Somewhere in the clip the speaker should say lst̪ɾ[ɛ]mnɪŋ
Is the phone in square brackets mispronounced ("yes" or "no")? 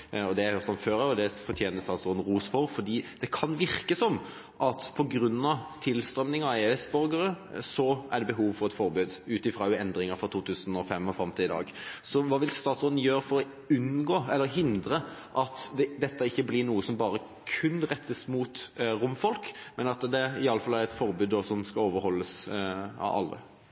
yes